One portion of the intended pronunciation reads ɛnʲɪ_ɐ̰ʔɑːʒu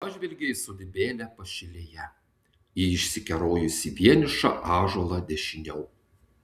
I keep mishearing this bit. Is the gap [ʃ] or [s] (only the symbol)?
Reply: ʃ